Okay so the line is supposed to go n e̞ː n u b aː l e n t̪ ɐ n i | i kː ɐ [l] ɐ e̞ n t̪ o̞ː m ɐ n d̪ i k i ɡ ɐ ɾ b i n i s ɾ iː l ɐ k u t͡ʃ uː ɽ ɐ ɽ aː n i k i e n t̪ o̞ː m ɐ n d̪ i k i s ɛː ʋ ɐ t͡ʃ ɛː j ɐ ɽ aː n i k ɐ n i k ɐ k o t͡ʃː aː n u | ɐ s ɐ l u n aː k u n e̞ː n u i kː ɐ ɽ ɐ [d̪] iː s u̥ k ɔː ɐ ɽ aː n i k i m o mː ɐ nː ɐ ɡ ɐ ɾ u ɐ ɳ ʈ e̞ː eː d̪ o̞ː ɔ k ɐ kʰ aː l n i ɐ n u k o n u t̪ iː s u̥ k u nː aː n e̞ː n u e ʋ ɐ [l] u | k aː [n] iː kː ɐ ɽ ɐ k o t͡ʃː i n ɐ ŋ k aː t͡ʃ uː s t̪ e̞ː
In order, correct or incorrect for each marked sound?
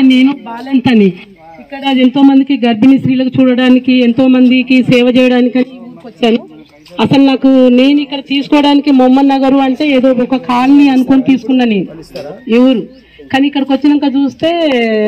incorrect: ɽ, incorrect: t̪, incorrect: ɾ, correct

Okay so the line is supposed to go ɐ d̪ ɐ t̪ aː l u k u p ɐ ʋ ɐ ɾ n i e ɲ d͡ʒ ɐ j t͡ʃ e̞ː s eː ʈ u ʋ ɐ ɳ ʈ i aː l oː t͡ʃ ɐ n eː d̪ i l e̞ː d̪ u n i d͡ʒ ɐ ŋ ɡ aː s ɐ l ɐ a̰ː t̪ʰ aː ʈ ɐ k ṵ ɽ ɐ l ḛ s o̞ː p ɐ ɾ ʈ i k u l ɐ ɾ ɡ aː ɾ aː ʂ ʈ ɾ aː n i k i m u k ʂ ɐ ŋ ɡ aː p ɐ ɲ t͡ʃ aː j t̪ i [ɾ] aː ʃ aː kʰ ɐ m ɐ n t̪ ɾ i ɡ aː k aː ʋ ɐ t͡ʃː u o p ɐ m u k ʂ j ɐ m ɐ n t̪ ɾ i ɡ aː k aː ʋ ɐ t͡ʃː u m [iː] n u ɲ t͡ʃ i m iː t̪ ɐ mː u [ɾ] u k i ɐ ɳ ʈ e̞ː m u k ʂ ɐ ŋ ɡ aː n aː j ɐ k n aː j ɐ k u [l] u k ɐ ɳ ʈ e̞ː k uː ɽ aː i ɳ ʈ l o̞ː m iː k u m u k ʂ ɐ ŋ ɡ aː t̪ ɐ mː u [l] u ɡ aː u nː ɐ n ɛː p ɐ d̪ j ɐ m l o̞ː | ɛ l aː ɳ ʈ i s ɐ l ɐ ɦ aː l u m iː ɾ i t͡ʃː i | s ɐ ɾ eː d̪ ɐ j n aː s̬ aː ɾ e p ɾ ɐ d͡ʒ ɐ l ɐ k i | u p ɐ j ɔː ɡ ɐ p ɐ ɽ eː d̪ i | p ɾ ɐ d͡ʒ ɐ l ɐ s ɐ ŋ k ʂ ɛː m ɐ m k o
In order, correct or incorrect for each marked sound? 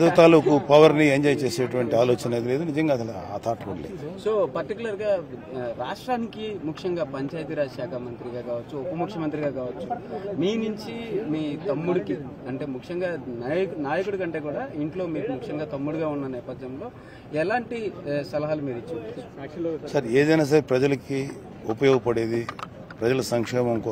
correct, correct, incorrect: ɽ, incorrect: ɽ, incorrect: ɽ

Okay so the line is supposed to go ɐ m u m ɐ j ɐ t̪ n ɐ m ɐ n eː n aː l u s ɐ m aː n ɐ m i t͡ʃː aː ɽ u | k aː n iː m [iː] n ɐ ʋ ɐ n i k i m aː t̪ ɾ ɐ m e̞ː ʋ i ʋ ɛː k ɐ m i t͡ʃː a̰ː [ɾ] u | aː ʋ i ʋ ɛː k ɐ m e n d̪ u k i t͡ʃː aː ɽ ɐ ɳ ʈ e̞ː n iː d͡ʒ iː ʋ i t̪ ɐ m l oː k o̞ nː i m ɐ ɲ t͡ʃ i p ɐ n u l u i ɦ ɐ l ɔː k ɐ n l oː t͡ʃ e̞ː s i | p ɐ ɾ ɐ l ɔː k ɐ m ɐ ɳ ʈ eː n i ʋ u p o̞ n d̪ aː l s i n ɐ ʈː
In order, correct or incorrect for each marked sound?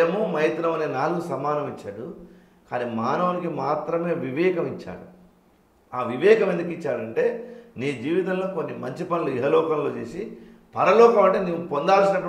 incorrect: aː, incorrect: ɽ

